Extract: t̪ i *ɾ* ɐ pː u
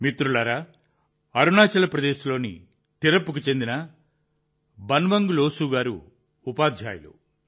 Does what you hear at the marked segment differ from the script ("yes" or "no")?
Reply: no